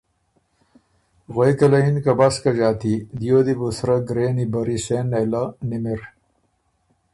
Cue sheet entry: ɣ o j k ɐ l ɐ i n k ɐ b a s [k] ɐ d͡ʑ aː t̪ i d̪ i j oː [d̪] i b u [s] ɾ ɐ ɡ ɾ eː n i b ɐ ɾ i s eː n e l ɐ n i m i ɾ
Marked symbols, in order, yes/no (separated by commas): yes, yes, yes